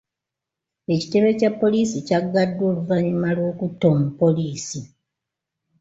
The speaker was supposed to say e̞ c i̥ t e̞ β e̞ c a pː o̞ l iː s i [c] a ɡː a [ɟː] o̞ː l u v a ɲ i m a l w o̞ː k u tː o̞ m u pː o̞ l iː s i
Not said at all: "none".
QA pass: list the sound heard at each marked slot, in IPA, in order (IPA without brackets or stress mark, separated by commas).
c, dː